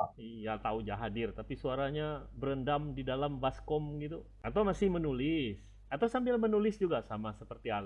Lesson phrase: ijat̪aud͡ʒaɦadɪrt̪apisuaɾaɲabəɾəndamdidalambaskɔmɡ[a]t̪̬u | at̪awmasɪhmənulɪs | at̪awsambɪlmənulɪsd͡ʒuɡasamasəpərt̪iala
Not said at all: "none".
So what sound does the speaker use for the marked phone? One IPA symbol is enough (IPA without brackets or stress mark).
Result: i